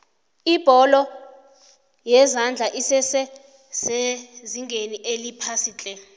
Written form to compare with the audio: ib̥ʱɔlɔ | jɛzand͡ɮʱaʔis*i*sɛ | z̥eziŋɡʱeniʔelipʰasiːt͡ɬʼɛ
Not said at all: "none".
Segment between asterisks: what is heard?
ɛ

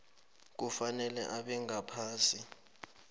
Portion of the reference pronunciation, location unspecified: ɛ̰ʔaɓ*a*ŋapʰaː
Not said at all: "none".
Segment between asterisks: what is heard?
ɛ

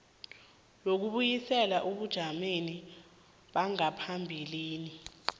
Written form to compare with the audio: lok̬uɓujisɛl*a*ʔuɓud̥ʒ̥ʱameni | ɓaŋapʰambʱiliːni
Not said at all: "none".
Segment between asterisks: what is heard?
a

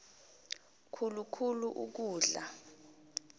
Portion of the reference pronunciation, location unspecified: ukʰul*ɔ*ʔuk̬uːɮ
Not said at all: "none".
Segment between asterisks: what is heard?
u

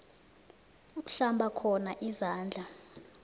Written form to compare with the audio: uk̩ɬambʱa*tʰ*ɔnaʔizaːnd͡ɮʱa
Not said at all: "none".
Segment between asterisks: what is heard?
kʰ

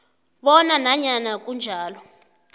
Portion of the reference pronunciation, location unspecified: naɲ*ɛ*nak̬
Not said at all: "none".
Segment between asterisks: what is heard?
a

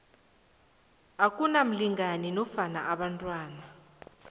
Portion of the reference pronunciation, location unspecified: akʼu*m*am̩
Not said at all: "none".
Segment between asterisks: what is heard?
n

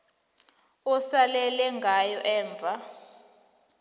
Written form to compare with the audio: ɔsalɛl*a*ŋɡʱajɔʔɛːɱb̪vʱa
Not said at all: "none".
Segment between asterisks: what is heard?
ɛ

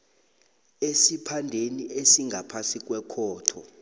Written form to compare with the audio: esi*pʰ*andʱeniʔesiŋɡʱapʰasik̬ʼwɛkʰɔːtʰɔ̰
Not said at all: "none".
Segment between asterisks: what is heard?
pʰ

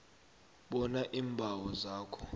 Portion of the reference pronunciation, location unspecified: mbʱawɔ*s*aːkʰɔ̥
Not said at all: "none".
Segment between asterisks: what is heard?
z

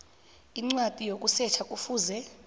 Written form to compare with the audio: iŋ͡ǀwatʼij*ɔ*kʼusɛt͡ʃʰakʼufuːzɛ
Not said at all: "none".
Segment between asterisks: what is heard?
o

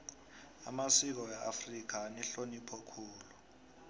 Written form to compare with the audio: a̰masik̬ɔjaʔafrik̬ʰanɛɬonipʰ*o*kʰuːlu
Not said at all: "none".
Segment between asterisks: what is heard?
ɔ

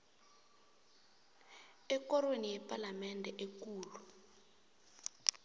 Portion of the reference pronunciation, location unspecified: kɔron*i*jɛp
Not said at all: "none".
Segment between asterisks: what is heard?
i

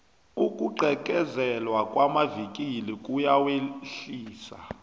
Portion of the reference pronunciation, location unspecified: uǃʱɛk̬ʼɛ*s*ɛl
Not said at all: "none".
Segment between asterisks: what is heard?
z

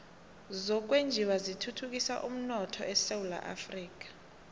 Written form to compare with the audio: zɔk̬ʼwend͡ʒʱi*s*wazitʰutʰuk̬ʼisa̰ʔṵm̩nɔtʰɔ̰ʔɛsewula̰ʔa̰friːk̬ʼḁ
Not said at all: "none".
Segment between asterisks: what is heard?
none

